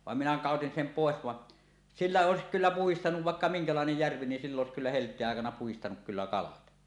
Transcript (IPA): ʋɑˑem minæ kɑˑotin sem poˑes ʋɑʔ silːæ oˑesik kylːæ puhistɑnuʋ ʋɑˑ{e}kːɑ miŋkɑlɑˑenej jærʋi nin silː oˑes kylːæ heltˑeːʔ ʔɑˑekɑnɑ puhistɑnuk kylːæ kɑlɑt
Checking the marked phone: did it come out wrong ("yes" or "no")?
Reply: no